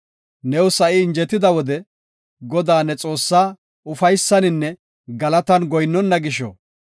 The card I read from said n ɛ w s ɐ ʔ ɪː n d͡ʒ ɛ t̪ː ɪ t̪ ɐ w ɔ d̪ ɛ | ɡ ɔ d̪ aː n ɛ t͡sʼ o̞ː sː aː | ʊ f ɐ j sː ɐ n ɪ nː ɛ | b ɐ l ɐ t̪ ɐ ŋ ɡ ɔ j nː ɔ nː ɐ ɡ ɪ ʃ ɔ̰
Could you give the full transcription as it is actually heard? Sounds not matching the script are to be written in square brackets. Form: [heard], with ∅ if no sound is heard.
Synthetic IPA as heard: n ɛ w s ɐ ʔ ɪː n d͡ʒ ɛ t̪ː ɪ [d̪] ɐ w ɔ d̪ ɛ | ɡ ɔ d̪ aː n ɛ t͡sʼ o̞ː sː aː | ʊ f ɐ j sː ɐ n ɪ nː ɛ | [ɡ] ɐ l ɐ t̪ ɐ [n] ɡ ɔ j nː ɔ nː ɐ ɡ ɪ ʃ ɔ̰